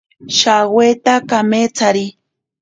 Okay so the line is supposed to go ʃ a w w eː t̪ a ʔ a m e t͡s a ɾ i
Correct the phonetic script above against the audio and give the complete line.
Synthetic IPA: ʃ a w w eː t̪ a k a m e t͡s a ɾ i